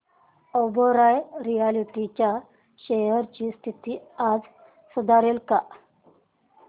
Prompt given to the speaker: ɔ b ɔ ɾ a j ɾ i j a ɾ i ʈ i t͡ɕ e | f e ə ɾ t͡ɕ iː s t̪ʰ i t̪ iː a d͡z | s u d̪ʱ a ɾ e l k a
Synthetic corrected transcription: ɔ b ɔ ɾ a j ɾ i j a l i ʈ i t͡ɕ a | ɕ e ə ɾ t͡ɕ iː s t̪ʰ i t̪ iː a d͡z | s u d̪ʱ a ɾ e l k a